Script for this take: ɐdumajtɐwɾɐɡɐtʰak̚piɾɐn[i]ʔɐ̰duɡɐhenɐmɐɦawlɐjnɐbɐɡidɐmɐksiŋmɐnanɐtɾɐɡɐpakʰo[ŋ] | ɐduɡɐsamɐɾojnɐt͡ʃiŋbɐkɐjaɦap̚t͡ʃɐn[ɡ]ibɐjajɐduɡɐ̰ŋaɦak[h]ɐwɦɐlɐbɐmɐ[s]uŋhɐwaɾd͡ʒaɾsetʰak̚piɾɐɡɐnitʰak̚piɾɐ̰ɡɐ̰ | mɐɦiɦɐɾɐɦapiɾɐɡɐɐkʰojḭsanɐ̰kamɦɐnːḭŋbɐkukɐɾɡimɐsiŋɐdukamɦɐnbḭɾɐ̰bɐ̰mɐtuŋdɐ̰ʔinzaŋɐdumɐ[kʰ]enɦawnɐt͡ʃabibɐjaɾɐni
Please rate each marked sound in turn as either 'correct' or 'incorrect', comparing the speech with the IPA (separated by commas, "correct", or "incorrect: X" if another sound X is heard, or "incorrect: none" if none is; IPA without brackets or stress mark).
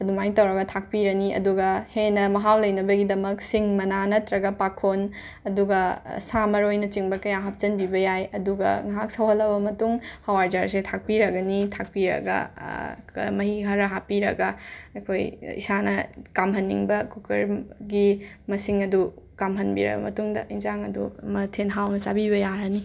correct, incorrect: n, incorrect: b, incorrect: s, incorrect: t, incorrect: tʰ